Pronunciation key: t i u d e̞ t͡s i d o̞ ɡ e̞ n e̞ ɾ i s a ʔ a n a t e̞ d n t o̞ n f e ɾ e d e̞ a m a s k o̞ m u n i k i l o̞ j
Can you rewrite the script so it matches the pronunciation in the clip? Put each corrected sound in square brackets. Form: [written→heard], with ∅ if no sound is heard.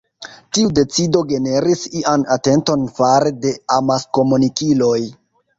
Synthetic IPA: t i u d e̞ t͡s i d o̞ ɡ e̞ n e̞ ɾ i s [a→i] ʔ a n a t e̞ [d→∅] n t o̞ n f [e→a] ɾ e d e̞ a m a s k o̞ m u n i k i l o̞ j